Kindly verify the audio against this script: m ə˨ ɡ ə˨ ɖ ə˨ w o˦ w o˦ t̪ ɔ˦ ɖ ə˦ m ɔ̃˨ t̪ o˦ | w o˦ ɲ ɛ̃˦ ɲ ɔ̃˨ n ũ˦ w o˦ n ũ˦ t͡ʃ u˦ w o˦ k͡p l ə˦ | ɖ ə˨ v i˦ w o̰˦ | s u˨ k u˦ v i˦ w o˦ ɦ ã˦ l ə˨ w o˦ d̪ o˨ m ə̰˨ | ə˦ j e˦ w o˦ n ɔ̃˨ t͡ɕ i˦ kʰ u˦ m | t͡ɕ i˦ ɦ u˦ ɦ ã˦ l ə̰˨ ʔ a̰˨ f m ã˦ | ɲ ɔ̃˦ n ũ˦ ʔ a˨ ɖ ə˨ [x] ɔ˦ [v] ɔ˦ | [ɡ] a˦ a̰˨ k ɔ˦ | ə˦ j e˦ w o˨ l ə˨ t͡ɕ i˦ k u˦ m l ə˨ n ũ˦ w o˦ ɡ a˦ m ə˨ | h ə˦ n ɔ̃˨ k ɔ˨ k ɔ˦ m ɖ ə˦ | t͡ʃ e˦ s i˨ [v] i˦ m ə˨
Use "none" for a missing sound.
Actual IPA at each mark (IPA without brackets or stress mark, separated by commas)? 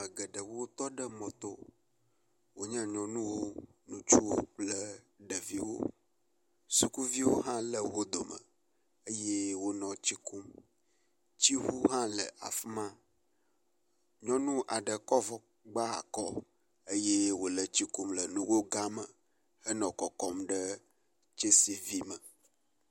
k, v, ɡ͡b, v